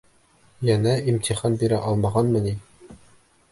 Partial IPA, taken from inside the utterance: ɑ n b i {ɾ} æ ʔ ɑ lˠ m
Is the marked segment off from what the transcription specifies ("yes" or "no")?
no